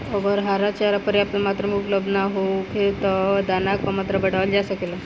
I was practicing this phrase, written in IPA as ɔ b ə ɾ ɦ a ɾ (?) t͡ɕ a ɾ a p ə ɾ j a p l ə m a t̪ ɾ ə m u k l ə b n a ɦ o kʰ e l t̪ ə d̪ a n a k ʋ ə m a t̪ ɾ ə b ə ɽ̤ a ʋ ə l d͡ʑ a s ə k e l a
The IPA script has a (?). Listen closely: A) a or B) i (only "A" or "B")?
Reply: A